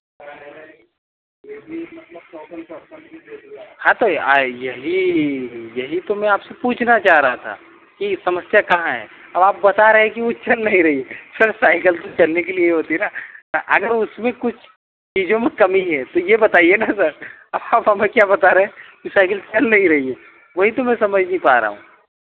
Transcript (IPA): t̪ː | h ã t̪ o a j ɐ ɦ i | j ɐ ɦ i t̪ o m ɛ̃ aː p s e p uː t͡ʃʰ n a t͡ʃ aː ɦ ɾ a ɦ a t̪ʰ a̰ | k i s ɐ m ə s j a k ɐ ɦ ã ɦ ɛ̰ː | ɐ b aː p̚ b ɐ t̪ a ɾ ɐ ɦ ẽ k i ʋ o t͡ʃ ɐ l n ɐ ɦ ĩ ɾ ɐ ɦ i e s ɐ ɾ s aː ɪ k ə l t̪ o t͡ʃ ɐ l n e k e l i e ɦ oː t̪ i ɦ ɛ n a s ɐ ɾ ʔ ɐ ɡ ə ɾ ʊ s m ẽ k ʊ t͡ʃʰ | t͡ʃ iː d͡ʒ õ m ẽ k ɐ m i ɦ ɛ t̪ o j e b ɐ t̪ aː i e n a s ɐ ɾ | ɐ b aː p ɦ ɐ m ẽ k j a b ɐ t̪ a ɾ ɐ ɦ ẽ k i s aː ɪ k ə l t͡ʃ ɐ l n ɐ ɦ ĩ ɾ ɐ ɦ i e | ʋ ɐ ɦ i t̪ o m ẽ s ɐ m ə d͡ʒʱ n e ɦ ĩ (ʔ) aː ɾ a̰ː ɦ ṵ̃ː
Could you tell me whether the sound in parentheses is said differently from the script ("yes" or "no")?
yes